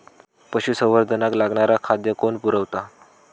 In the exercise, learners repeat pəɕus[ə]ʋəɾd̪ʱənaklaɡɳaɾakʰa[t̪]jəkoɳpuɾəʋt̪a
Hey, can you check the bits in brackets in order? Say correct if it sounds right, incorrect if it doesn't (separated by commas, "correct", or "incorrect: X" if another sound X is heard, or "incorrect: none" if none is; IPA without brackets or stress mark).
correct, incorrect: d̪